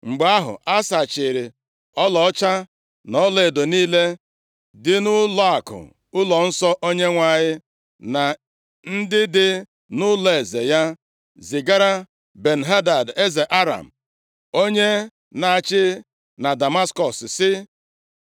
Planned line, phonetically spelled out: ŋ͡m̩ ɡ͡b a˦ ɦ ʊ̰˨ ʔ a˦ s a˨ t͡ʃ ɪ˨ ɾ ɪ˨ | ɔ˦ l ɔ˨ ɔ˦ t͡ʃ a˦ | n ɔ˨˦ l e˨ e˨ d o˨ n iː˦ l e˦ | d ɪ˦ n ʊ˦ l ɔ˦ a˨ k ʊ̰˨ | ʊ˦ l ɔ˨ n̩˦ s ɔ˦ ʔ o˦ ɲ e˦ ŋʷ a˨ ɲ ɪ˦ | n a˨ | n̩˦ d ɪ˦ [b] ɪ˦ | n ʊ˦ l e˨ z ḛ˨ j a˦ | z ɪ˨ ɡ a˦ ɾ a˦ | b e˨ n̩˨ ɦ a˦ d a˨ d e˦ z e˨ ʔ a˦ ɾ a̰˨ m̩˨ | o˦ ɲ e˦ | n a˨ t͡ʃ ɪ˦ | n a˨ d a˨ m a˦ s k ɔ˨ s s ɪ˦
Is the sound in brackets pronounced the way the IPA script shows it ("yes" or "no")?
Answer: no